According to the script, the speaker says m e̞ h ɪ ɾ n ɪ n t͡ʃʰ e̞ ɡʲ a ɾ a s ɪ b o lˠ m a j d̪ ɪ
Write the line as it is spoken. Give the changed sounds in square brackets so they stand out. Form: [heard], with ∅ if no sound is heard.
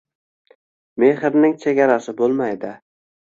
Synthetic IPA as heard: m e̞ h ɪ ɾ n ɪ [ŋ] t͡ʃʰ e̞ ɡʲ a ɾ a s ɪ b o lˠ m a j d̪ ɪ